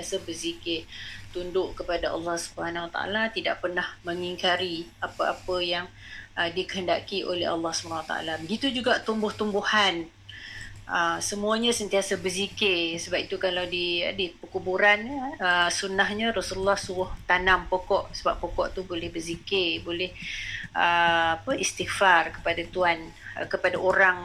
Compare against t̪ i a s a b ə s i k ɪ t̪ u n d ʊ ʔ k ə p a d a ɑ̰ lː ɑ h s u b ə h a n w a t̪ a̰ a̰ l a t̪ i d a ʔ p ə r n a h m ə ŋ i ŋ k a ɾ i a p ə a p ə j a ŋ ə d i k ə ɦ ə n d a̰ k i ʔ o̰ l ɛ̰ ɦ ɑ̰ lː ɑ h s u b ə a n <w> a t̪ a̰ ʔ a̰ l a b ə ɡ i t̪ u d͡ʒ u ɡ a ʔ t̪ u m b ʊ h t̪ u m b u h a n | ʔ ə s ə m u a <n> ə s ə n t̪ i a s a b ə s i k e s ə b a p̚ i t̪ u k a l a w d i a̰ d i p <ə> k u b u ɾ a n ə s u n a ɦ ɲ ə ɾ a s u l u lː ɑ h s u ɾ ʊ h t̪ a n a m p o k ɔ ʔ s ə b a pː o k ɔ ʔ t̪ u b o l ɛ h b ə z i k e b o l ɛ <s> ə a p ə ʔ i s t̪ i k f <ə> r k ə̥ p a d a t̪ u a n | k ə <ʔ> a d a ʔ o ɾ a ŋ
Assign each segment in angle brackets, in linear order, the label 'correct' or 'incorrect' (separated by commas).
correct, incorrect, correct, incorrect, incorrect, incorrect